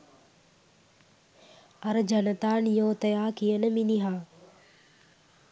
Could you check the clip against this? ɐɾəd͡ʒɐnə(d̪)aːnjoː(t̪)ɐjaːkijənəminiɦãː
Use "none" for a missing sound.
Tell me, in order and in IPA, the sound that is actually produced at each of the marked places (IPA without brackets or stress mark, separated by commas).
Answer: t̪, t̪